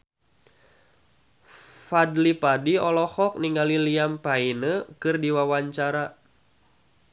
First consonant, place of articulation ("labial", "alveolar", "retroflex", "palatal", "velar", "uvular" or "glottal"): labial